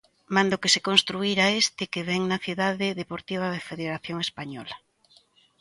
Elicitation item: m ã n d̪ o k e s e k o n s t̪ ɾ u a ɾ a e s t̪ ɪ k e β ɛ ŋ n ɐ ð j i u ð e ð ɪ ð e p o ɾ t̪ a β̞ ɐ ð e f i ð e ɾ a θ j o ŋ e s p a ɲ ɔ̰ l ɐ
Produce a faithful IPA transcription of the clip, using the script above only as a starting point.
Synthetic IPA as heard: m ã n d̪ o k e s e k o n s t̪ ɾ u i ɾ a e s t̪ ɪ k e β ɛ ŋ n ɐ θ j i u ð a ð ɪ ð e p o ɾ t̪ i β̞ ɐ ð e f e ð e ɾ a θ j o ŋ e s p a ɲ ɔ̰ l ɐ